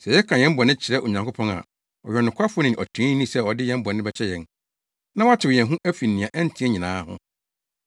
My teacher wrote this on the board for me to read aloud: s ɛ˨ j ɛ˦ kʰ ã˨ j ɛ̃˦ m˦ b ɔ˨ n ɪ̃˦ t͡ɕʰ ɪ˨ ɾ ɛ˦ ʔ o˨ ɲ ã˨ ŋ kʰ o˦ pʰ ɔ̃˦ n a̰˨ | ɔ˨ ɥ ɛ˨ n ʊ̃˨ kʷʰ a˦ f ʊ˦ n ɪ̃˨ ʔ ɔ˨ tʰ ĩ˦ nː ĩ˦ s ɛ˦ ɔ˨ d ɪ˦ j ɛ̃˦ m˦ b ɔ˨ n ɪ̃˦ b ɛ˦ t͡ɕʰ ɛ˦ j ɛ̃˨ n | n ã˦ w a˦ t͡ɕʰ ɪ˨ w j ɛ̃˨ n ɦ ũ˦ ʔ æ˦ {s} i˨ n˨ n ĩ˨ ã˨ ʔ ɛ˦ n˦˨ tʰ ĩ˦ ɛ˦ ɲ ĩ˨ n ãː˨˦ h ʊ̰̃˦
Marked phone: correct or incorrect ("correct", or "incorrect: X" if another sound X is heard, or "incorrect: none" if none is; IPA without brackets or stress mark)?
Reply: incorrect: f